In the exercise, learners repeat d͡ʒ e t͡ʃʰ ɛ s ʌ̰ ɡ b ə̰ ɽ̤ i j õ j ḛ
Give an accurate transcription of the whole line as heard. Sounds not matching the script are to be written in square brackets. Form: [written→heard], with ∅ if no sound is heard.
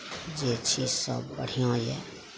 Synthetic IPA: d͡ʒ e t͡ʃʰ [ɛ→i] s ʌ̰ [ɡ→b] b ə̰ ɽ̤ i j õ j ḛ

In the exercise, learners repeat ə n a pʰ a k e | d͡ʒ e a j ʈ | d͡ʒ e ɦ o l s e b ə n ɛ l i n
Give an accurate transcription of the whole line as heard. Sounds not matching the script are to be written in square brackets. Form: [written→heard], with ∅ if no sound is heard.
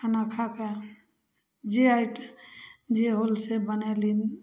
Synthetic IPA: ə n a [pʰ→kʰ] a k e | d͡ʒ e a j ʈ | d͡ʒ e ɦ o l s e b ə n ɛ l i n

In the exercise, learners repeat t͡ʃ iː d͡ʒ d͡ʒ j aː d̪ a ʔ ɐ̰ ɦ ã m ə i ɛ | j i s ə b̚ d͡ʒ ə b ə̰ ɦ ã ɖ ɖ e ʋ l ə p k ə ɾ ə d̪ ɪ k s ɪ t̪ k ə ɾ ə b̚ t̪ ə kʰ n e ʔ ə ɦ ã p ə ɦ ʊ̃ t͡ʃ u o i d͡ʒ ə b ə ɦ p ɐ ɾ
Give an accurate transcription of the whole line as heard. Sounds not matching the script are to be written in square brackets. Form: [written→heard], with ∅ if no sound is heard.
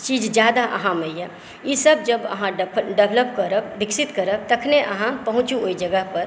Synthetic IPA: t͡ʃ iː d͡ʒ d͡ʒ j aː d̪ a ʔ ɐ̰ ɦ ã m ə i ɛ | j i s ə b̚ d͡ʒ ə b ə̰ ɦ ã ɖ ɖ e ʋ l ə p k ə ɾ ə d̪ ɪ k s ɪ t̪ k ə ɾ ə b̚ t̪ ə kʰ n e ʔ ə ɦ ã p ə ɦ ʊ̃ t͡ʃ u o i d͡ʒ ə [b→ɡ] ə ɦ p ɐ ɾ

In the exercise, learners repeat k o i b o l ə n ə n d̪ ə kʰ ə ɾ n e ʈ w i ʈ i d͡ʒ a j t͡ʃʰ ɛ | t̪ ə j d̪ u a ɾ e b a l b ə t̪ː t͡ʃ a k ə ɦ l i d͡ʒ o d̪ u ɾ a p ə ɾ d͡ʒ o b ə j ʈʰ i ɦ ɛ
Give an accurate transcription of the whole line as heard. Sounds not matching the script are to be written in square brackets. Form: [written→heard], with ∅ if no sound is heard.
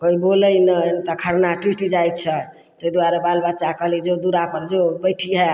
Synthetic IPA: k o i b o l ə n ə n [d̪→t̪] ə kʰ ə ɾ n [e→a] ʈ w i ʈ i d͡ʒ a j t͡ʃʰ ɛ | t̪ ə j d̪ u a ɾ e b a l b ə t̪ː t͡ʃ a k ə ɦ l i d͡ʒ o d̪ u ɾ a p ə ɾ d͡ʒ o b ə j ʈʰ i ɦ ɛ

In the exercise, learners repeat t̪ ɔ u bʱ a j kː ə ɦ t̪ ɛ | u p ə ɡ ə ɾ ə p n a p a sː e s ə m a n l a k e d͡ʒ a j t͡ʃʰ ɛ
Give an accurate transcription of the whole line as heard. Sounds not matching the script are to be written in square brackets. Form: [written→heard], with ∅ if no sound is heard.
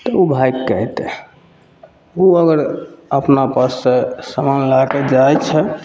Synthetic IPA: t̪ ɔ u bʱ a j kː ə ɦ t̪ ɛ | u [p→∅] ə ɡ ə ɾ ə p n a p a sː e s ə m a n l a k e d͡ʒ a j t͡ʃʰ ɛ

